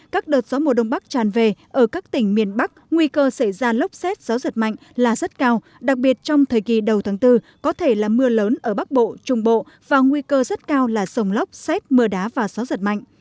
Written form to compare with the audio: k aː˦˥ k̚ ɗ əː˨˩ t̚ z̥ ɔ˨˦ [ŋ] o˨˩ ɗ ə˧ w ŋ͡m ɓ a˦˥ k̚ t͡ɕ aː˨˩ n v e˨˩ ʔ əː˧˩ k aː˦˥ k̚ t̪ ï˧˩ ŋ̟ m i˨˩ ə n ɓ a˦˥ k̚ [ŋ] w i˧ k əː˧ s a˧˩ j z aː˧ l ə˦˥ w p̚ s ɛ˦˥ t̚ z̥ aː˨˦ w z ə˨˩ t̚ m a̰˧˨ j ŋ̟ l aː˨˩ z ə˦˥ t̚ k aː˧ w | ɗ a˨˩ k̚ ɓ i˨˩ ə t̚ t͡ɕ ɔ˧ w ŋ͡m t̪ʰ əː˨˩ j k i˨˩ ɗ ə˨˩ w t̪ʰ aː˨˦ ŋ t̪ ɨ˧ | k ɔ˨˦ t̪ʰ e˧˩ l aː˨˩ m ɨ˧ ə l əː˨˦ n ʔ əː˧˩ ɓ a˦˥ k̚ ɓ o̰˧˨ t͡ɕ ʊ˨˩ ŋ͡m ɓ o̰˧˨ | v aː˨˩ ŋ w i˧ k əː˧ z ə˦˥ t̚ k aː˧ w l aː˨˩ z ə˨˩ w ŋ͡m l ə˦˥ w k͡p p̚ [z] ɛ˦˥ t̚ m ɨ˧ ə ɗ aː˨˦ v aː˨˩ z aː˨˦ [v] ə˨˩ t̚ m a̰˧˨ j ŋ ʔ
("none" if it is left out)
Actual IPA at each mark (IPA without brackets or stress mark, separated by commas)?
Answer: m, ŋ, s, z